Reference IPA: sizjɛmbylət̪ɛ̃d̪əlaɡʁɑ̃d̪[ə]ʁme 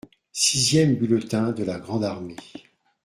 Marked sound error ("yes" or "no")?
yes